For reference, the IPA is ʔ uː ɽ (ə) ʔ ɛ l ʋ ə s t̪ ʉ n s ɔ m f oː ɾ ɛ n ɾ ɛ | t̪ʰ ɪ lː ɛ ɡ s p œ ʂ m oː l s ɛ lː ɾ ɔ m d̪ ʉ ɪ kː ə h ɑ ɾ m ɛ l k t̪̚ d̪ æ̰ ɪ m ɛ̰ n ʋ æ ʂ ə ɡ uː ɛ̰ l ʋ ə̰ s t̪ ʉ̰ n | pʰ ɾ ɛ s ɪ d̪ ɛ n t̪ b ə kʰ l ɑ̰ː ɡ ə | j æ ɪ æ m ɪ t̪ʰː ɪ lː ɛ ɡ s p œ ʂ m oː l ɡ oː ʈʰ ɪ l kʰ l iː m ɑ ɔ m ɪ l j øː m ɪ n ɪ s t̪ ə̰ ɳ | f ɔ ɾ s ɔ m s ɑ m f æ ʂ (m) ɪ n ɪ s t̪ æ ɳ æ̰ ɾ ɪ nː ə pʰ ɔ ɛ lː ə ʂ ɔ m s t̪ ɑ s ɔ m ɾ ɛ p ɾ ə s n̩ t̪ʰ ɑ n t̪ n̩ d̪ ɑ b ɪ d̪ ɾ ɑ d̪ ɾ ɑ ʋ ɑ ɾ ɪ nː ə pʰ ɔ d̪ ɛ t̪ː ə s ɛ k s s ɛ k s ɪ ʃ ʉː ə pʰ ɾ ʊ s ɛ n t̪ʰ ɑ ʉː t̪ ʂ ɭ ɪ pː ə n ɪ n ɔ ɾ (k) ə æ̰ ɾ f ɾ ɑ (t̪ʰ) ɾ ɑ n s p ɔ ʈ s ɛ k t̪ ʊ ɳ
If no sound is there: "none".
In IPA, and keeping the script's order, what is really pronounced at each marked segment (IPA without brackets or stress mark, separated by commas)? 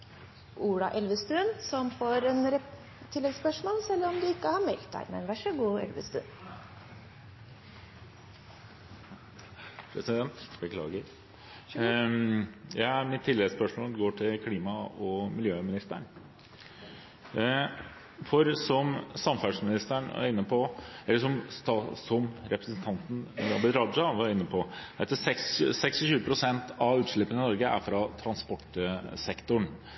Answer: ɑ, m, ɡ, t̪ʰ